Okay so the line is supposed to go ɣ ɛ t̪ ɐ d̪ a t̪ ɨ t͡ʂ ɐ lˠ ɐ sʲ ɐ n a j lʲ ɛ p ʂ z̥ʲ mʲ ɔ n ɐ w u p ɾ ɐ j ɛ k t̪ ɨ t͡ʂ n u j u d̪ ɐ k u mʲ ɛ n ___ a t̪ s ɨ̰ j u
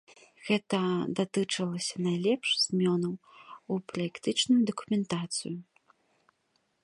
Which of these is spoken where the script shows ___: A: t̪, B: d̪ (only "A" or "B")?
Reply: A